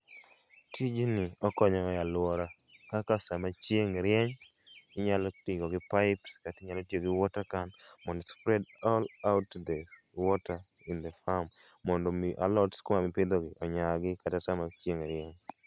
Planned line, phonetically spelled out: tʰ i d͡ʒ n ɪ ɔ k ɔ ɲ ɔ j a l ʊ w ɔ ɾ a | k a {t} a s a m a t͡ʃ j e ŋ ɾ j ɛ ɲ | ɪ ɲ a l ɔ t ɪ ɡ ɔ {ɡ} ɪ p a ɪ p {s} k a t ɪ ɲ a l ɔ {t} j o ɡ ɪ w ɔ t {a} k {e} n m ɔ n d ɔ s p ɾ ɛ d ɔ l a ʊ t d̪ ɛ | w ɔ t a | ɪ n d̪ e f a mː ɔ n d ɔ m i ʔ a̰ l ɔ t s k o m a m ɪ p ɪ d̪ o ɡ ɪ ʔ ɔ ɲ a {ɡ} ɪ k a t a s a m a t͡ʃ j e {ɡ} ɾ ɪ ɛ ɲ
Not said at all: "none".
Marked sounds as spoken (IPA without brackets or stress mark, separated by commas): k, ɡ, s, t, a, a, ɡ, ŋ